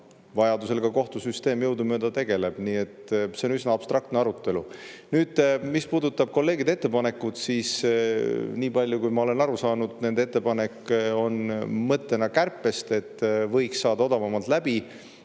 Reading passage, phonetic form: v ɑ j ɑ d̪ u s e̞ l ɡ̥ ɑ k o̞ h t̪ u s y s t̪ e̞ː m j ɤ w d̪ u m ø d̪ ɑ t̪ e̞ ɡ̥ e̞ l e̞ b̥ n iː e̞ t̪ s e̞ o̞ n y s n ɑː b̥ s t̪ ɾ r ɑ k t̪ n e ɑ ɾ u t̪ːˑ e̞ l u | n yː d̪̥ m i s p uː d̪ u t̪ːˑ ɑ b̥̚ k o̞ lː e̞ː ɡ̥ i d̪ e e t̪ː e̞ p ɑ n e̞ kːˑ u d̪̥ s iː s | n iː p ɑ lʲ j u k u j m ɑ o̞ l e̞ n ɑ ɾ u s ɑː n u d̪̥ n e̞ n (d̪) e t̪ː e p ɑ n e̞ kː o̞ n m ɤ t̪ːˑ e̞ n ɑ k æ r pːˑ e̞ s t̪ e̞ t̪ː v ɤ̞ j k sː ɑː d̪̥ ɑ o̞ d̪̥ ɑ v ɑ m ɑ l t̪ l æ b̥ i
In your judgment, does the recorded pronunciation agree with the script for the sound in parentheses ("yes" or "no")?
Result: yes